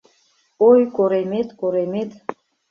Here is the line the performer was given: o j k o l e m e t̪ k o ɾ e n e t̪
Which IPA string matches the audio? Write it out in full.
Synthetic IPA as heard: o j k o ɾ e m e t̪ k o ɾ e m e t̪